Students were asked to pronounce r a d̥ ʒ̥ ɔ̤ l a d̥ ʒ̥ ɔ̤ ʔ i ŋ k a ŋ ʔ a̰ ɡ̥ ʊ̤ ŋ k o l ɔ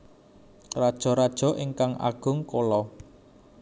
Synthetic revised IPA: r a d̥ ʒ̥ ɔ̤ ɾ a d̥ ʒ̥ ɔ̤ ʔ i ŋ k a ŋ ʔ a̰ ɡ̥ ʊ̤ ŋ k o l ɔ

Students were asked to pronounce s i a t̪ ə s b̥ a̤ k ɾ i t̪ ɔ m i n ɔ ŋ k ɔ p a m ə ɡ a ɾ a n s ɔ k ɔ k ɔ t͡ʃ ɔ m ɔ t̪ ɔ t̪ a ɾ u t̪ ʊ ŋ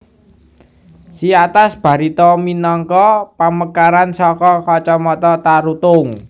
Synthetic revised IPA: s i a t̪ a s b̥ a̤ ɾ i t̪ ɔ m i n ɔ ŋ k ɔ p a m ə k a ɾ a n s ɔ k ɔ k ɔ t͡ʃ ɔ m ɔ t̪ ɔ t̪ a ɾ u t̪ ʊ ŋ

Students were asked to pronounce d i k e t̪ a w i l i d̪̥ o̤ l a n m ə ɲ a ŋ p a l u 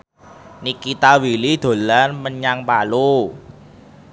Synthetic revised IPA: n i k i t̪ a w i l i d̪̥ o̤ l a n m ə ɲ a ŋ p a l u

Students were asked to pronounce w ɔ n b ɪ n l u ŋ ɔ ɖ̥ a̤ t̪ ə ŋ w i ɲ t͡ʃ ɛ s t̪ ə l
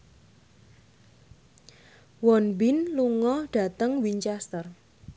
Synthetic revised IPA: w ɔ n b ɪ n l u ŋ ɔ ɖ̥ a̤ t̪ ə ŋ w i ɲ t͡ʃ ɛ s t̪ ə r

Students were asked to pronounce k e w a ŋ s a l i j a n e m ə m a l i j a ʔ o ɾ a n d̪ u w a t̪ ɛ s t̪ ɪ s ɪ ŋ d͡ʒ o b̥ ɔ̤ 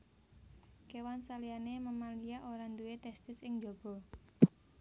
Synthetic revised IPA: k e w a n s a l i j a n e m ə m a l i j a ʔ o ɾ a n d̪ u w e t̪ ɛ s t̪ ɪ s ɪ ŋ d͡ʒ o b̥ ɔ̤

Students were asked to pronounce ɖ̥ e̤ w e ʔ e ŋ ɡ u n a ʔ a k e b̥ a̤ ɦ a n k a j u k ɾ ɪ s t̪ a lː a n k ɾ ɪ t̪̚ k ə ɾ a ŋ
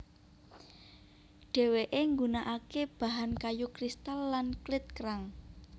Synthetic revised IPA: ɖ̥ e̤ w e ʔ e ŋ ɡ u n a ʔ a k e b̥ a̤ ɦ a n k a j u k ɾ i s t̪ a lː a n k l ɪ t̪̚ k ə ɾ a ŋ

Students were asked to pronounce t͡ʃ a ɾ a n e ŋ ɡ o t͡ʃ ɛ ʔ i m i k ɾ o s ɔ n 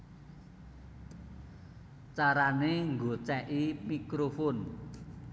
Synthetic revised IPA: t͡ʃ a ɾ a n e ŋ ɡ o t͡ʃ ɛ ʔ i m i k ɾ o f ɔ n

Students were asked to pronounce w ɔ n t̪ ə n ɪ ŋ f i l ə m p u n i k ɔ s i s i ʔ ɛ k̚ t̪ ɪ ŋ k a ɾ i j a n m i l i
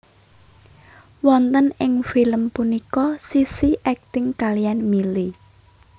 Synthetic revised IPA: w ɔ n t̪ ə n ɪ ŋ f i l ə m p u n i k ɔ s i s i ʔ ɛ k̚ t̪ ɪ ŋ k a l i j a n m i l i

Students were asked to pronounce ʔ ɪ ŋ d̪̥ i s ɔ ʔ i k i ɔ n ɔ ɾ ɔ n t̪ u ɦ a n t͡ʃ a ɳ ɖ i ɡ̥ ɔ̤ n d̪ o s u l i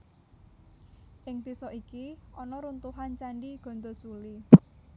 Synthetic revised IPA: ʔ ɪ ŋ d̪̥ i s ɔ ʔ i k i ɔ n ɔ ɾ u n t̪ u ɦ a n t͡ʃ a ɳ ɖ i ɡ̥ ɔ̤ n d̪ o s u l i

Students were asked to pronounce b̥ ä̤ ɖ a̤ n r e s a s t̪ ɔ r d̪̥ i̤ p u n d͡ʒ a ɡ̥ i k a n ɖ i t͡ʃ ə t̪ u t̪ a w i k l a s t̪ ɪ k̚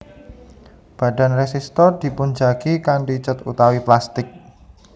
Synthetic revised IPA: b̥ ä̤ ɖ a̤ n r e s i s t̪ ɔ r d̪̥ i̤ p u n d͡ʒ a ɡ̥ i k a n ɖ i t͡ʃ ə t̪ u t̪ a w i p l a s t̪ ɪ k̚

